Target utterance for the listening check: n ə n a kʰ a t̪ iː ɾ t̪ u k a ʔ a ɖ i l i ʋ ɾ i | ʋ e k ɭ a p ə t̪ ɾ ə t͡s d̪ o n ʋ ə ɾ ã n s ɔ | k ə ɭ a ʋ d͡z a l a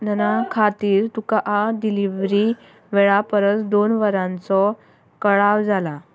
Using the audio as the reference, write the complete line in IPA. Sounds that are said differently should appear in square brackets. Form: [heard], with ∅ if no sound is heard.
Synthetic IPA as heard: n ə n a kʰ a t̪ iː ɾ t̪ u k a ʔ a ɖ i l i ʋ ɾ i | ʋ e [∅] ɭ a p ə [∅] ɾ ə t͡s d̪ o n ʋ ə ɾ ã n [t͡s] ɔ | k ə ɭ a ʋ d͡z a l a

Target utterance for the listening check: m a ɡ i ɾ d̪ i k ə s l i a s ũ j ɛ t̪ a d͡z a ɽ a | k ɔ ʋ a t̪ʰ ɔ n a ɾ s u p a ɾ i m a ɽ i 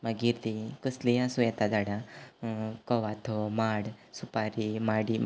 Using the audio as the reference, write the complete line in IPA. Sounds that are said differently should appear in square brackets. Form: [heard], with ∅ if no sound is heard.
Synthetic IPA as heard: m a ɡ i ɾ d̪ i k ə s l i a s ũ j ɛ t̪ a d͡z a ɽ a | k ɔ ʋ a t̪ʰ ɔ [m] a [ɽ] s u p a ɾ i m a ɽ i

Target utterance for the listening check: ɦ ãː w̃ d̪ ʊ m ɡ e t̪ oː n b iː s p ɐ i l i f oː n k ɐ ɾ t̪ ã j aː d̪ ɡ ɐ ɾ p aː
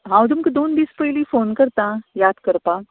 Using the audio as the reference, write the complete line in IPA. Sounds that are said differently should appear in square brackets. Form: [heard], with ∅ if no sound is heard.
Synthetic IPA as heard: ɦ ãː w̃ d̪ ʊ m [k] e [d̪] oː n b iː s p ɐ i l i f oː n k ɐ ɾ t̪ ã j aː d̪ [k] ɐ ɾ p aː

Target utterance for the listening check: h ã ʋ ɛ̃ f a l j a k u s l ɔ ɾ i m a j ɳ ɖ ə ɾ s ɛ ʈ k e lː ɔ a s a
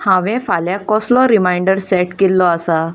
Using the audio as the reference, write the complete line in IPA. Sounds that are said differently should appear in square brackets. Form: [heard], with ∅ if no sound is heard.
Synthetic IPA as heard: h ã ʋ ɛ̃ f a l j a k [ɔ] s l ɔ ɾ i m a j ɳ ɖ ə ɾ s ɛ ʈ k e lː ɔ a s a

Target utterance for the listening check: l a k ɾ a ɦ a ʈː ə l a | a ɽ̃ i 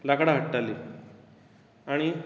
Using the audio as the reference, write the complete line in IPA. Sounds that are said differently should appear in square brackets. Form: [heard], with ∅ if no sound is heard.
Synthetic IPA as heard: l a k [ɽ] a ɦ [ə] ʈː [a] l [i] | a ɽ̃ i

